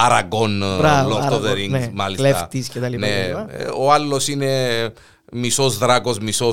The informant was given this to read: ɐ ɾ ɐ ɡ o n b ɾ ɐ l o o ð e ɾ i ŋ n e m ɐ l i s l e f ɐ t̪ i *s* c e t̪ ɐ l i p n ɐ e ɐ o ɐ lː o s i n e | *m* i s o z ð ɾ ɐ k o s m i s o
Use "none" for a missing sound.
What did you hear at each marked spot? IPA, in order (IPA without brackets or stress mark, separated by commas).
s, m